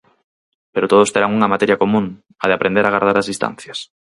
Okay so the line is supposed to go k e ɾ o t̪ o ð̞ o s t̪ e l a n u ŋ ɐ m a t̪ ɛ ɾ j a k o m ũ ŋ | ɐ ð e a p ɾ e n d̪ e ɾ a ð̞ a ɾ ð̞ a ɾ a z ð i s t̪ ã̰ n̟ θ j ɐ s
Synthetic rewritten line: p e ɾ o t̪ o ð̞ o s t̪ e ɾ a ŋ u ŋ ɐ m a t̪ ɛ ɾ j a k o m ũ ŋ | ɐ ð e a p ɾ e n d̪ e ɾ a ɣ̞ a ɾ ð̞ a ɾ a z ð i s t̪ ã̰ n̟ θ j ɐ s